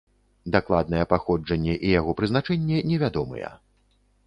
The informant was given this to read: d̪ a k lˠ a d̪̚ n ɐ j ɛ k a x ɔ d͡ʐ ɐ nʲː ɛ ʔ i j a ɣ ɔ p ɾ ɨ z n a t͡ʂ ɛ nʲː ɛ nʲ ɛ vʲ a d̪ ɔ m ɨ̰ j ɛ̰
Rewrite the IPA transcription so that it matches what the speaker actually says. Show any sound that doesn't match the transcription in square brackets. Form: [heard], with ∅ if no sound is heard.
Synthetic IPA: d̪ a k lˠ a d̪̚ n ɐ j ɛ [p] a x ɔ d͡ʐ ɐ nʲː ɛ ʔ i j a ɣ ɔ p ɾ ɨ z n a t͡ʂ ɛ nʲː ɛ nʲ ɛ vʲ a d̪ ɔ m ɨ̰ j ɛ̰